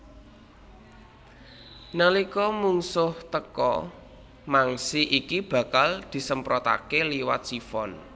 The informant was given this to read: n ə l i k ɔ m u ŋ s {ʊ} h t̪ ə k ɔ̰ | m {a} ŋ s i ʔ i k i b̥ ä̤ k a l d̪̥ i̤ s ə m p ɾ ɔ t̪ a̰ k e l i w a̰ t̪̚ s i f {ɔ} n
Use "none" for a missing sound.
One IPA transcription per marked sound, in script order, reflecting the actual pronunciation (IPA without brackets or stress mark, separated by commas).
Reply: ʊ, a, ɔ